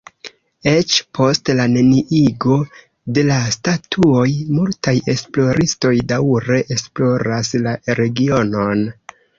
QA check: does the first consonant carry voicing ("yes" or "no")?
no